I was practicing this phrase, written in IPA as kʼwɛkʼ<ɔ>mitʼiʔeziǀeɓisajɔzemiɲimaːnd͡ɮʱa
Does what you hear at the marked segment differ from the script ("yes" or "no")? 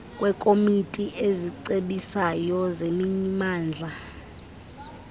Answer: yes